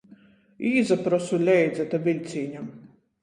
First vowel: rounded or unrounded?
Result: unrounded